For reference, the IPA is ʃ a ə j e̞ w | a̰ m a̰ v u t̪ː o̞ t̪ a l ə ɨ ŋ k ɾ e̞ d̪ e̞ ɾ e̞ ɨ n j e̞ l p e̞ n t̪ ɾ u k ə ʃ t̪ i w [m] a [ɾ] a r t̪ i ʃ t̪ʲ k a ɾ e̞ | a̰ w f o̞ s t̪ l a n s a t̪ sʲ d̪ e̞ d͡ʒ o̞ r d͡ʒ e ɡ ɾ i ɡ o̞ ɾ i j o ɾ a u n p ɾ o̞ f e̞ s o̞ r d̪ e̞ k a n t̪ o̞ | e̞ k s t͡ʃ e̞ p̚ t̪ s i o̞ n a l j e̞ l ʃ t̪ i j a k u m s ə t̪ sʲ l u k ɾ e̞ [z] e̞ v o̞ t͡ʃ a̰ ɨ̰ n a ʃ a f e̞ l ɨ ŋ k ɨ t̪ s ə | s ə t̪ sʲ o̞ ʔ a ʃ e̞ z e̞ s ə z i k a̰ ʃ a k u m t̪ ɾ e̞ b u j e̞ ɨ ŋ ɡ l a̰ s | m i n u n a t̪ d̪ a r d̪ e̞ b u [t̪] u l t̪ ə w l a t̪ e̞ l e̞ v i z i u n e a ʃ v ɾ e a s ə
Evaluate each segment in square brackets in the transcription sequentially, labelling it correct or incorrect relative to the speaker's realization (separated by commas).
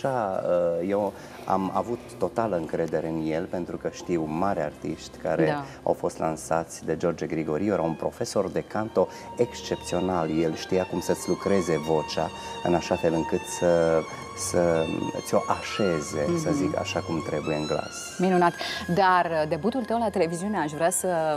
correct, correct, correct, correct